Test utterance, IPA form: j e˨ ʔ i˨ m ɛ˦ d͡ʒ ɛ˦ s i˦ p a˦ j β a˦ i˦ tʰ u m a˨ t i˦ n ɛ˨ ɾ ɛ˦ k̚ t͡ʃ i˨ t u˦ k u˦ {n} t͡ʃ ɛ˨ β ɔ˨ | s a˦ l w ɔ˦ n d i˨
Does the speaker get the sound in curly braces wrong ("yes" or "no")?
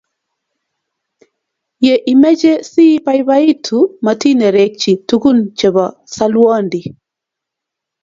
no